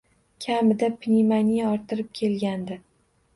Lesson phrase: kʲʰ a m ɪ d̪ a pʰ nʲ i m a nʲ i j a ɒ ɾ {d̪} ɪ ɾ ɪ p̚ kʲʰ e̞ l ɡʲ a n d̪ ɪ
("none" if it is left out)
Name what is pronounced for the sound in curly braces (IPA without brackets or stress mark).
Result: t̪